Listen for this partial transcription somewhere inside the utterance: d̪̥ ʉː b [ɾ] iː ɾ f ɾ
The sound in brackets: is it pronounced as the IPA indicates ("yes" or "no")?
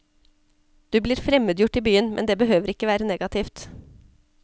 no